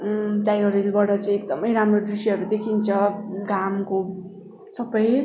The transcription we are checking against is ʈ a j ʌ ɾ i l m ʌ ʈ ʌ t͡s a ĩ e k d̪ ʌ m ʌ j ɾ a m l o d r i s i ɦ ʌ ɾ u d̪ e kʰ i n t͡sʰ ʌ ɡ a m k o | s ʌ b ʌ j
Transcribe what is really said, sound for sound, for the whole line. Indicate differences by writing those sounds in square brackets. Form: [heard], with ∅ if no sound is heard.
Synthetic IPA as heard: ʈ a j ʌ ɾ i l [b] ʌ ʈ ʌ t͡s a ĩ e k d̪ ʌ m ʌ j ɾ a m [r] o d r i s i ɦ ʌ ɾ u d̪ e kʰ i n t͡sʰ ʌ ɡ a m k o | s ʌ b ʌ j

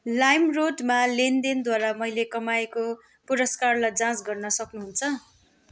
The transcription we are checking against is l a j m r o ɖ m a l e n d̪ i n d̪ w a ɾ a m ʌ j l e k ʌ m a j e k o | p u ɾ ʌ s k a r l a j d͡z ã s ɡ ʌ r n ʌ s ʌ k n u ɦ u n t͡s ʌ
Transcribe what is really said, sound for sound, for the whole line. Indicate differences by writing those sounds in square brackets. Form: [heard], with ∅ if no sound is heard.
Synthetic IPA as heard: l a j m r o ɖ m a l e n d̪ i n d̪ w a ɾ a m ʌ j l e k ʌ m a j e k o | p u ɾ ʌ s k a r l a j d͡z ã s ɡ ʌ r n ʌ s ʌ k n u ɦ u n [t͡sʰ] ʌ

